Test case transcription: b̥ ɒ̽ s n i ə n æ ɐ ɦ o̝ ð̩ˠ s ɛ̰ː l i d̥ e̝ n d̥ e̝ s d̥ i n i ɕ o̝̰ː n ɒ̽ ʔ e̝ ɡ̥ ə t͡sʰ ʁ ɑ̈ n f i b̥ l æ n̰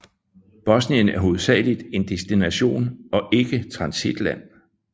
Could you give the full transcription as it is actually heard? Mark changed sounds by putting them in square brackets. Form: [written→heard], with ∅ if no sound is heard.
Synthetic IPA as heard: b̥ ɒ̽ s n i ə n æ ɐ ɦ o̝ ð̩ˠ s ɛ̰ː l i d̥ e̝ n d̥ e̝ s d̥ i n [i→æ] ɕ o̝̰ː n ɒ̽ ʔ e̝ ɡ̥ ə t͡sʰ ʁ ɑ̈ n [f→s] i [b̥→d̥] l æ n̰